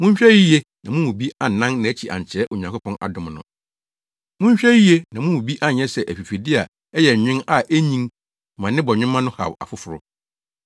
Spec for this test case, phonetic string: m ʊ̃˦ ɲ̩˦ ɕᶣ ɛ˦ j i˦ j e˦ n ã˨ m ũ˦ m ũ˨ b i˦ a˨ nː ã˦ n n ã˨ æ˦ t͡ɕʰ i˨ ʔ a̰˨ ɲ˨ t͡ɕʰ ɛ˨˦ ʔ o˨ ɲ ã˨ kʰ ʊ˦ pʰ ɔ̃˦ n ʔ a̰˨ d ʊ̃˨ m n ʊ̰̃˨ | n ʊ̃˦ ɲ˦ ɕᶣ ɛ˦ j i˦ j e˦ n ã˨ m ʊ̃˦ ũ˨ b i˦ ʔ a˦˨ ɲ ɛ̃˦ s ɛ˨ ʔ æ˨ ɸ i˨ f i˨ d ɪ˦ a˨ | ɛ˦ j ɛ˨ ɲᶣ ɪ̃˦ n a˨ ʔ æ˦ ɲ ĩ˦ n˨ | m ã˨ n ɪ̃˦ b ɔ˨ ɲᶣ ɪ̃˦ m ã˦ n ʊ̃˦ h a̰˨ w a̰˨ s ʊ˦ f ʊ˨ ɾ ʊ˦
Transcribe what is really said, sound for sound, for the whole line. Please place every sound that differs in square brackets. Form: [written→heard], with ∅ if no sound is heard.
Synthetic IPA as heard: m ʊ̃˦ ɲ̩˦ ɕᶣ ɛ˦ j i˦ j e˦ n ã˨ m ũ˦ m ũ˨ b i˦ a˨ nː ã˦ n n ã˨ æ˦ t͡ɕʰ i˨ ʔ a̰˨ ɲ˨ t͡ɕʰ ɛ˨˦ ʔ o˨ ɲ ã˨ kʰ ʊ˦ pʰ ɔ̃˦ n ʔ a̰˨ d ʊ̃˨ m n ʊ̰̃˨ | [n→m] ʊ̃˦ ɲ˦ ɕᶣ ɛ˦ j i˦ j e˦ n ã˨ m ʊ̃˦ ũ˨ b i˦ ʔ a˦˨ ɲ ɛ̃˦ s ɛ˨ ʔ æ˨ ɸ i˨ f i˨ d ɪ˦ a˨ | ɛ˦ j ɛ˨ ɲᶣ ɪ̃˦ n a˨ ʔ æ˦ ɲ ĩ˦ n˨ | m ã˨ n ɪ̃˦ b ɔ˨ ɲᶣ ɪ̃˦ m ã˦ n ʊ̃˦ h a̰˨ w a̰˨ [s→f] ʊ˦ f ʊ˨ ɾ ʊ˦

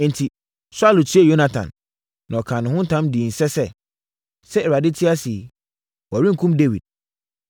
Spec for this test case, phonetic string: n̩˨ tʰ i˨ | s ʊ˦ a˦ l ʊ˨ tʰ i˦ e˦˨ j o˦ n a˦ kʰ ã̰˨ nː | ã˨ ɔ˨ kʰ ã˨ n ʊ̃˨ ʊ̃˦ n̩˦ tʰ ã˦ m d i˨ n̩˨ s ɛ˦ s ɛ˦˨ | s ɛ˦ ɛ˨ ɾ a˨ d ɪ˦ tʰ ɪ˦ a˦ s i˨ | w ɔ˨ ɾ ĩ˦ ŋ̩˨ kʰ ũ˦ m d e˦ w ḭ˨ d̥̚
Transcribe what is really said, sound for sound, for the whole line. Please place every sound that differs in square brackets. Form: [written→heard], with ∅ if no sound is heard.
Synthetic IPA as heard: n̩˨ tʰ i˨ | s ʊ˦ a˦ l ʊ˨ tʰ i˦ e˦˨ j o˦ n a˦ [kʰ→tʰ] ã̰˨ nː | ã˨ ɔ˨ kʰ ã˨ n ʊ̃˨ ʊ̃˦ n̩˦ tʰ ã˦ m d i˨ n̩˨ s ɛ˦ s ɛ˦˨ | s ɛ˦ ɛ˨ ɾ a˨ d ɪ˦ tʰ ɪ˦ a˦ s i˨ | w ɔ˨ ɾ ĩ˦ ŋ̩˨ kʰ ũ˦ m d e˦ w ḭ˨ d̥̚

